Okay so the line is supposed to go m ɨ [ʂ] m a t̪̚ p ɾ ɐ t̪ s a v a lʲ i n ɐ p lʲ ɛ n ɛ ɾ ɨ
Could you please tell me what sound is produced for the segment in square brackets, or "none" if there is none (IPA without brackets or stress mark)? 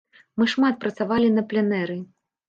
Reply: ʂ